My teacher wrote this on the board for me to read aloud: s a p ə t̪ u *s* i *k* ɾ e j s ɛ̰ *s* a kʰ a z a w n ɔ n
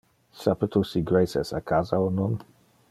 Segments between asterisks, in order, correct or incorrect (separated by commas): correct, incorrect, correct